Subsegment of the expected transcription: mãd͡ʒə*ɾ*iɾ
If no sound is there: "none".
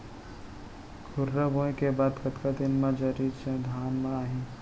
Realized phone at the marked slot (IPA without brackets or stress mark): ɾ